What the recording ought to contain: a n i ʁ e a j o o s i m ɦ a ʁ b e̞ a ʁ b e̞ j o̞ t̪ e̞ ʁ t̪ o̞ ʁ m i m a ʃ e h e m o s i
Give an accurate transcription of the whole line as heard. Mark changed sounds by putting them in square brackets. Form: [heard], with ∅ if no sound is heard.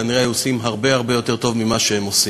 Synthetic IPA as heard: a n i ʁ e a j [u] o s i m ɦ a ʁ b e̞ a ʁ b e̞ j o̞ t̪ e̞ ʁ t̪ o̞ [v] m i m a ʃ e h e m o s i